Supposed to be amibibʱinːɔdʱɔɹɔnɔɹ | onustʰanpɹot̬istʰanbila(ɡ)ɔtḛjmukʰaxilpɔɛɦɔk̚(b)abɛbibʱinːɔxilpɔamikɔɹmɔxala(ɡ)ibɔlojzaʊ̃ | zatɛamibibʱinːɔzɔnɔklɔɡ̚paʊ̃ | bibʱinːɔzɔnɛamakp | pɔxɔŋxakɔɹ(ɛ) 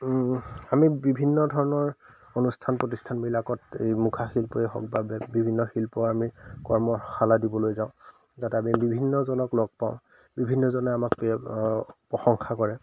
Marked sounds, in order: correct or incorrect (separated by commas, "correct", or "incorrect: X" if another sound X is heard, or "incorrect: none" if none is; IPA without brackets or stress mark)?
incorrect: k, correct, incorrect: d, correct